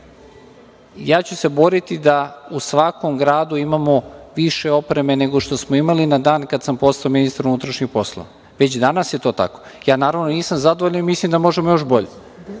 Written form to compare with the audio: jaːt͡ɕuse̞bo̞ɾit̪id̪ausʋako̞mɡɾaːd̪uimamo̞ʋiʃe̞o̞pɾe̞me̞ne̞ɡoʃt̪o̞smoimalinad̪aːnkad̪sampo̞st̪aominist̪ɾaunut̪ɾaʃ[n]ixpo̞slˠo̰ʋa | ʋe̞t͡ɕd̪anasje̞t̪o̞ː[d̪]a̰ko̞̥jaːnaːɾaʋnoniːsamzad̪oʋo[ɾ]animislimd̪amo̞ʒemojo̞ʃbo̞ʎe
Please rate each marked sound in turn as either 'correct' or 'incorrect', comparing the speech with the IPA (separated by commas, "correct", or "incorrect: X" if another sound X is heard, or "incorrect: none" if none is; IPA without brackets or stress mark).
incorrect: ɲ, incorrect: t̪, incorrect: ʎ